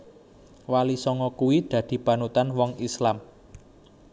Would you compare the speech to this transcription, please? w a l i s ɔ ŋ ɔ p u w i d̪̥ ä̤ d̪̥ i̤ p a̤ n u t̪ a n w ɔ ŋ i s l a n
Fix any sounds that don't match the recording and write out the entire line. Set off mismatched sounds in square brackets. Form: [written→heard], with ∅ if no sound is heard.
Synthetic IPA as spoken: w a l i s ɔ ŋ ɔ [p→k] u w i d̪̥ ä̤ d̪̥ i̤ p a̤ n u t̪ a n w ɔ ŋ i s l a [n→m]